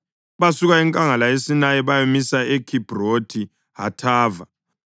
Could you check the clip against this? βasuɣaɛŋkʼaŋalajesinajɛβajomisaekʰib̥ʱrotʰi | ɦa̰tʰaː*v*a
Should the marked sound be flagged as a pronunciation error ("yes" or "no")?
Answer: no